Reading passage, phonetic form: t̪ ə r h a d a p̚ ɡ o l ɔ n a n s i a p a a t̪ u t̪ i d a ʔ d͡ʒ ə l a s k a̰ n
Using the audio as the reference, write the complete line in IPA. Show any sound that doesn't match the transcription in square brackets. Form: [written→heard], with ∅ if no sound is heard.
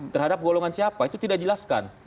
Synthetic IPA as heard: t̪ ə r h a d a p̚ ɡ o l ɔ [n→ŋ] a n s i a p a [a→i] t̪ u t̪ i d a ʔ d͡ʒ ə l a s k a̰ n